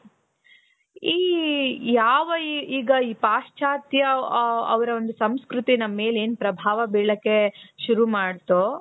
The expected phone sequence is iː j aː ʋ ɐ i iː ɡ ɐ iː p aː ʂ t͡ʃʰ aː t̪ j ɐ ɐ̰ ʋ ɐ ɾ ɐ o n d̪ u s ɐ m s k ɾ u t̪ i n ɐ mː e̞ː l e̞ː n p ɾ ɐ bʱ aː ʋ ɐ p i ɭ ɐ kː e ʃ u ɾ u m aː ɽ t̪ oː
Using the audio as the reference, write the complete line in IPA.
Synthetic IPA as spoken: iː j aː ʋ ɐ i iː ɡ ɐ iː p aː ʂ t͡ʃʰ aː t̪ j ɐ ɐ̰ ʋ ɐ ɾ ɐ o n d̪ u s ɐ m s k ɾ u t̪ i n ɐ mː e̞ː l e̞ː n p ɾ ɐ bʱ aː ʋ ɐ b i ɭ ɐ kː e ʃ u ɾ u m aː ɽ t̪ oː